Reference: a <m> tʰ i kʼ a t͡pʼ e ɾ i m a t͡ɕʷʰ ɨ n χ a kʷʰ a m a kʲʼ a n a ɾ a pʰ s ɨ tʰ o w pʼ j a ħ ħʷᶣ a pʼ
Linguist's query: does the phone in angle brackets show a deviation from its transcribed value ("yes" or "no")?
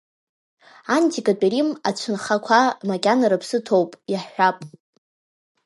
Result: yes